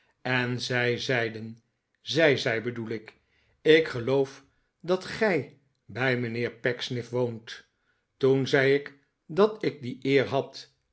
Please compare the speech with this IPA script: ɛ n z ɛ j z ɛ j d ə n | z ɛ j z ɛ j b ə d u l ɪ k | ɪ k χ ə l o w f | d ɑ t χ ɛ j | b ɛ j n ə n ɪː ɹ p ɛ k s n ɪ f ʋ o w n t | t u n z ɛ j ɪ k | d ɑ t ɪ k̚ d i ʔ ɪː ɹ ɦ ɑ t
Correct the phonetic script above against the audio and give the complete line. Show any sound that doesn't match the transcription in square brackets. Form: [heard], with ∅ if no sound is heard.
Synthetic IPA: ɛ n z ɛ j z ɛ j d ə n | z ɛ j z ɛ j b ə d u l ɪ k | ɪ k χ ə l o w f | d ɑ t χ ɛ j | b ɛ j [m] ə n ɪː ɹ p ɛ k s n ɪ f ʋ o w n t | t u n z ɛ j ɪ k | d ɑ t ɪ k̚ d i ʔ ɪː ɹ ɦ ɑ t